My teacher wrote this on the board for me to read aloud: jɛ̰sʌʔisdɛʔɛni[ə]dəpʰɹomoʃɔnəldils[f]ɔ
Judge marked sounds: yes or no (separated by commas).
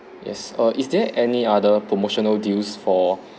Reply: no, yes